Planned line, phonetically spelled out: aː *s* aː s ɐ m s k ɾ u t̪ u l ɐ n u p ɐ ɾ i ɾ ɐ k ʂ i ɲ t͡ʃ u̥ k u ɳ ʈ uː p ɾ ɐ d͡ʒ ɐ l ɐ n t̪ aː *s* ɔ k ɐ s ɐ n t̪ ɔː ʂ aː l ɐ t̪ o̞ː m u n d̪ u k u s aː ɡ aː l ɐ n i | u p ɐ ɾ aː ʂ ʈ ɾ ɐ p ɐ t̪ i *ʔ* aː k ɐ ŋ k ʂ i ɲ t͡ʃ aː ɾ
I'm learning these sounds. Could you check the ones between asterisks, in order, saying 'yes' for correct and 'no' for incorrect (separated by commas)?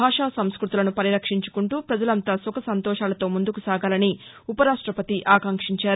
no, yes, yes